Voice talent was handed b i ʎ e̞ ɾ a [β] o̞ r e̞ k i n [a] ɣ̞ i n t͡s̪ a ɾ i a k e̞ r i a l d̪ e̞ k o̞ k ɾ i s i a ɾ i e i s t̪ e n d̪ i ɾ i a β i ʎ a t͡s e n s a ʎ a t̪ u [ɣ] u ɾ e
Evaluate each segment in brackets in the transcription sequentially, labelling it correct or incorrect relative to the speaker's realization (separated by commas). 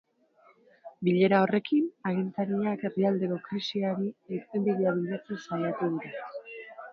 incorrect, correct, incorrect